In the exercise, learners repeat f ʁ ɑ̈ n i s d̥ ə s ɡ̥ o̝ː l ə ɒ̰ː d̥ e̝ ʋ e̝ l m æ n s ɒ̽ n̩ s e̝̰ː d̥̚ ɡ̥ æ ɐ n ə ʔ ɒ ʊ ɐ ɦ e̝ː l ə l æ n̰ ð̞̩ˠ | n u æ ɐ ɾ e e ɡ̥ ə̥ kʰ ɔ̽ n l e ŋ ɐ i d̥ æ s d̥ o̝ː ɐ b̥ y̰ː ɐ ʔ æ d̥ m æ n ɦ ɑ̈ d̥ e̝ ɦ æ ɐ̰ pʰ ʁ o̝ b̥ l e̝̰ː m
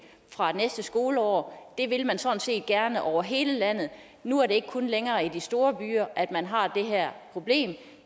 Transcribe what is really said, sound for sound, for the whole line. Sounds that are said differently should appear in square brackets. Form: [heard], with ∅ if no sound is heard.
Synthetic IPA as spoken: f ʁ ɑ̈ n [e] s d̥ ə s ɡ̥ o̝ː l ə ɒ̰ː d̥ e̝ ʋ e̝ l m æ n s ɒ̽ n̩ s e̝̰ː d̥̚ ɡ̥ æ ɐ n ə ʔ ɒ ʊ ɐ ɦ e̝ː l ə l æ n̰ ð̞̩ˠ | n u æ ɐ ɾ e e ɡ̥ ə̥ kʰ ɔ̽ n l e ŋ [ɐː] i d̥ [i] s d̥ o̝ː ɐ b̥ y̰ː ɐ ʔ æ d̥ m æ n ɦ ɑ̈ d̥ e̝ ɦ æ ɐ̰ pʰ ʁ o̝ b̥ l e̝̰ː m

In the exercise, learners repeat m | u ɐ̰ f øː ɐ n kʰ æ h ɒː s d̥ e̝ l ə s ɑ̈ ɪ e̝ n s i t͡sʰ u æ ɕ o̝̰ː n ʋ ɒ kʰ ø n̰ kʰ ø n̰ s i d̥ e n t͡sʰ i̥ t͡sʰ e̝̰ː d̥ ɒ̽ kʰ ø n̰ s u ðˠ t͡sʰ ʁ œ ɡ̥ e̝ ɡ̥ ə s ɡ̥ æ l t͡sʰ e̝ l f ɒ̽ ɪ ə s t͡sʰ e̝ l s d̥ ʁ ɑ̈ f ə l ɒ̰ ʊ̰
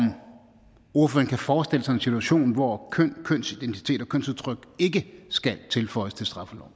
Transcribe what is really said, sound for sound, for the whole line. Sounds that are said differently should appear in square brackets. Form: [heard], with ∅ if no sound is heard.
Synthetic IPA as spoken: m | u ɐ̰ f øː ɐ n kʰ æ [f] ɒː s d̥ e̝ l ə s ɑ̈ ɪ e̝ n s i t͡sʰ u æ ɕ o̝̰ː n ʋ ɒ kʰ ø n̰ kʰ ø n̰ s i d̥ e n t͡sʰ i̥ t͡sʰ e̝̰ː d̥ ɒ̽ kʰ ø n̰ s u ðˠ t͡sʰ ʁ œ ɡ̥ e̝ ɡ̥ ə s ɡ̥ æ l t͡sʰ e̝ l f ɒ̽ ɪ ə s t͡sʰ e̝ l s d̥ ʁ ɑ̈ f ə l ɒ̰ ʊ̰

